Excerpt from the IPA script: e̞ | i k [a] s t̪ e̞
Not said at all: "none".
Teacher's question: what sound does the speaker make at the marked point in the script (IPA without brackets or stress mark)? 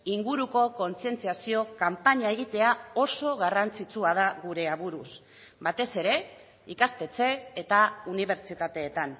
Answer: a